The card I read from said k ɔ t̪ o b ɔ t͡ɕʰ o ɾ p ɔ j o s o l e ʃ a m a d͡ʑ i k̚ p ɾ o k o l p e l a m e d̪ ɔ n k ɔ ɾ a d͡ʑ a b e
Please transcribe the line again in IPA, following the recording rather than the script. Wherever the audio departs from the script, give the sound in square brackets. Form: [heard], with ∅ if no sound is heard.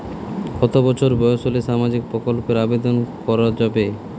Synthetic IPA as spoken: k ɔ t̪ o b ɔ t͡ɕʰ o ɾ [b] ɔ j o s o l e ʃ a m a d͡ʑ i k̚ p ɾ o k o l p e [ɾ] a [b] e d̪ [o] n k ɔ ɾ a d͡ʑ a b e

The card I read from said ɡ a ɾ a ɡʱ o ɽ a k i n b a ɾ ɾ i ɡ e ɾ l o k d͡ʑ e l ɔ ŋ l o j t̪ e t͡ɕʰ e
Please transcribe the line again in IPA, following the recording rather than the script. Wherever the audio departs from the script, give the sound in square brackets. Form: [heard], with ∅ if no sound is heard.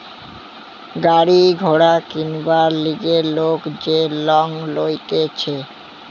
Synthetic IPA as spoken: ɡ a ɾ [i] ɡʱ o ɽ a k i n b a ɾ [l] i ɡ e ɾ l o k d͡ʑ e l ɔ ŋ l o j t̪ e t͡ɕʰ e

